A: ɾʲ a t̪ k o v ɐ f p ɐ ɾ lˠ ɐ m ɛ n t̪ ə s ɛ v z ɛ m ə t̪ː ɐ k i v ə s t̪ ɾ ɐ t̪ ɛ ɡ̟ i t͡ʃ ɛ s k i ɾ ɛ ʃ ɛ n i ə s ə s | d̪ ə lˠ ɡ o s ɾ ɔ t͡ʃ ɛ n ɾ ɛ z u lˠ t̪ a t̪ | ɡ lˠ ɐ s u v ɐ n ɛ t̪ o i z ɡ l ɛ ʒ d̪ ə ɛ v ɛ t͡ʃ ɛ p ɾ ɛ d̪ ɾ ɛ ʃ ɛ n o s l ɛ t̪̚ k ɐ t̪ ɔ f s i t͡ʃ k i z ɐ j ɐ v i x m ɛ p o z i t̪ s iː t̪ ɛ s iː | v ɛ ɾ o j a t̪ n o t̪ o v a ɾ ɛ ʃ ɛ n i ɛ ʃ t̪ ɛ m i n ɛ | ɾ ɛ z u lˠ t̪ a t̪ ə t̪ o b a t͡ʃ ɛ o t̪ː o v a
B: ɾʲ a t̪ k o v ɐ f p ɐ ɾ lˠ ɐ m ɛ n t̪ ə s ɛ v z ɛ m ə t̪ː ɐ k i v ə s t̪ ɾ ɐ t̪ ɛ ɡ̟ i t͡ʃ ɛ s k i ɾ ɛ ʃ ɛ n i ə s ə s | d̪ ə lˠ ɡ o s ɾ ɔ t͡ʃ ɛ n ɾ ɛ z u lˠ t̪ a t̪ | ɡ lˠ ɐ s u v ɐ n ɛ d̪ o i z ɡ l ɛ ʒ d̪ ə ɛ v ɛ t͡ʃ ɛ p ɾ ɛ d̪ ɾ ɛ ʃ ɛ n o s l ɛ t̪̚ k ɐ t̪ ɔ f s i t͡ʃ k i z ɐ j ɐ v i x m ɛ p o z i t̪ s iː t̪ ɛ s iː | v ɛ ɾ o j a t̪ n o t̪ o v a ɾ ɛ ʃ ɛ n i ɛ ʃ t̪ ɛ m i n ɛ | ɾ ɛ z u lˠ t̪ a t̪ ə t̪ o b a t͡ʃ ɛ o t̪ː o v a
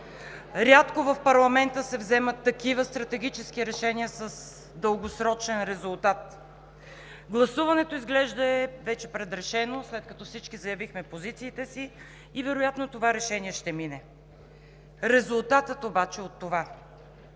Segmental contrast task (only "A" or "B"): A